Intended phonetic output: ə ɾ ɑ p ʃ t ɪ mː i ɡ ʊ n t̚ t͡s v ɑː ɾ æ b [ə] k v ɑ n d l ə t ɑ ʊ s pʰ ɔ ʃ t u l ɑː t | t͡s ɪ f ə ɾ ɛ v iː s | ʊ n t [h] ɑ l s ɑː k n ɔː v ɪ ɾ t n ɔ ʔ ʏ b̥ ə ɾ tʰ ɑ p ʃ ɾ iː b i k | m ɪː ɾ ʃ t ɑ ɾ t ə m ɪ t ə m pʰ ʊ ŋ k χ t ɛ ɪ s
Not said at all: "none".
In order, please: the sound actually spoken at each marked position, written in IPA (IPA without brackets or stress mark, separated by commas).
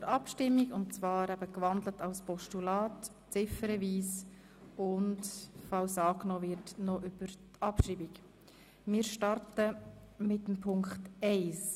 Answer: ə, f